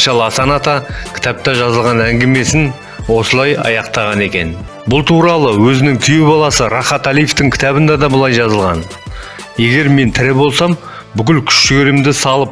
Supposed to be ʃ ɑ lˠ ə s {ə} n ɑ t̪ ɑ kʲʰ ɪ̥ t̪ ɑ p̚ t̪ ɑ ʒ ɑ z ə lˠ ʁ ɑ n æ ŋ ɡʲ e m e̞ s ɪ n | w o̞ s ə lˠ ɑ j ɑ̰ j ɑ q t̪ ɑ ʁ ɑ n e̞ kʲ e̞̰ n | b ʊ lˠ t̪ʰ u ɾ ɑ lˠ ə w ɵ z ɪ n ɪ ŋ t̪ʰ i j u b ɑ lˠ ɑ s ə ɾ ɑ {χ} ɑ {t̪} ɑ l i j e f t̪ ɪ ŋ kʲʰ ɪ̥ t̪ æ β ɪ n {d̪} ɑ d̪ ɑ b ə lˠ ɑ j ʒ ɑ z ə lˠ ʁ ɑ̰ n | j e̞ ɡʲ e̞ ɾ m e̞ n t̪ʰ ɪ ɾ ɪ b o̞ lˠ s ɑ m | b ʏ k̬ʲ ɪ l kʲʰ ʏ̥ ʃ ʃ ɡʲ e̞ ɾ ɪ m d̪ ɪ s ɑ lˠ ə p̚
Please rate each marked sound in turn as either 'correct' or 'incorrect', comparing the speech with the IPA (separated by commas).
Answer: incorrect, correct, correct, correct